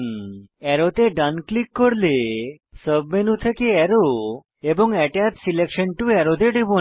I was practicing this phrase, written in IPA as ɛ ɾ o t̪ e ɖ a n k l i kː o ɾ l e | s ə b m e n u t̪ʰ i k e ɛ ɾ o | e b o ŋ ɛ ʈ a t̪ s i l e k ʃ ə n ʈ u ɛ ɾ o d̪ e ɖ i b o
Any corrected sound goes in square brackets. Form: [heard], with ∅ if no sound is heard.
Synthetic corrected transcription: ɛ ɾ o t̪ e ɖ a n k l i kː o ɾ l e | s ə b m e n u t̪ʰ [e] k e ɛ ɾ o | e b o ŋ ɛ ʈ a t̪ s i l e k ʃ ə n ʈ u ɛ ɾ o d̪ e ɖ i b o